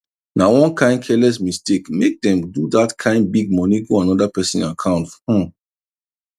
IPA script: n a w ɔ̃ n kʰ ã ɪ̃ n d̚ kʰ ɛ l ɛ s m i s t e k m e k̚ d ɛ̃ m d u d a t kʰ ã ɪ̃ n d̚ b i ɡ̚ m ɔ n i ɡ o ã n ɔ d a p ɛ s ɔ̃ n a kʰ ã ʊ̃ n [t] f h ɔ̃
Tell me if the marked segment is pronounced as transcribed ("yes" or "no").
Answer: yes